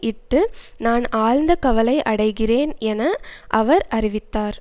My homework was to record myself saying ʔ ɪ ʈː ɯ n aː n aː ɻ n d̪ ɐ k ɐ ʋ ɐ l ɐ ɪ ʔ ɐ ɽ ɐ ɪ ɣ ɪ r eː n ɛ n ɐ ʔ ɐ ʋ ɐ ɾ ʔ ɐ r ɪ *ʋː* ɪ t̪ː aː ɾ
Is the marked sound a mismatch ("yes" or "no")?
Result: yes